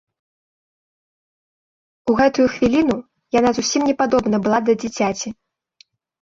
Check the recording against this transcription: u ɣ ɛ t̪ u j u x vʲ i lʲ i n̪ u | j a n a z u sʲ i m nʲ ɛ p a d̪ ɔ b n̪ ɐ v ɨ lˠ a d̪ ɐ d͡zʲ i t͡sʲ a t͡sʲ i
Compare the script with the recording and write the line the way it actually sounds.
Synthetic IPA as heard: u ɣ ɛ t̪ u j u x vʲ i lʲ i n̪ u | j a n a z u sʲ i m nʲ ɛ p a d̪ ɔ b n̪ ɐ b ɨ lˠ a d̪ ɐ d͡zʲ i t͡sʲ a t͡sʲ i